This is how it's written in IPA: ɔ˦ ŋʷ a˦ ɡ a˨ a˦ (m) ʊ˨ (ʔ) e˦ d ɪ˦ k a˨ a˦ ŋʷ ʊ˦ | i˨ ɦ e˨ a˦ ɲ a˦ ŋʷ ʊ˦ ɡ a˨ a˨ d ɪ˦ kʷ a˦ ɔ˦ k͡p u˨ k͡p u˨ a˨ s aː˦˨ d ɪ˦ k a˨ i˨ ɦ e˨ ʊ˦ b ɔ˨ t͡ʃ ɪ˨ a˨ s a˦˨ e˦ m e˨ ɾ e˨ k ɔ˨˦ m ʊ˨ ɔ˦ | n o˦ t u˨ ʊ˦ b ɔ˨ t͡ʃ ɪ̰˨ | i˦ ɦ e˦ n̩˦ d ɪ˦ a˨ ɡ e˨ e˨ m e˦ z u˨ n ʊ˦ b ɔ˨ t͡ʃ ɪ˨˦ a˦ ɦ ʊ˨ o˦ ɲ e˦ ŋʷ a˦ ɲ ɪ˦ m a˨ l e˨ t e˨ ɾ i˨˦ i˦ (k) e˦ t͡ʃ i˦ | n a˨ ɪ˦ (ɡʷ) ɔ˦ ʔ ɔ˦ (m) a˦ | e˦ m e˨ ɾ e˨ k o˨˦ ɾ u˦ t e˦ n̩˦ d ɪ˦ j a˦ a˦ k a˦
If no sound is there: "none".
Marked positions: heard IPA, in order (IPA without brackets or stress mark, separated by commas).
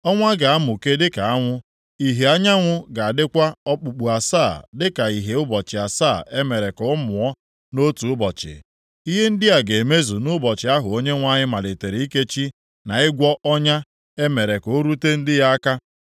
m, k, k, ɡʷ, ɲ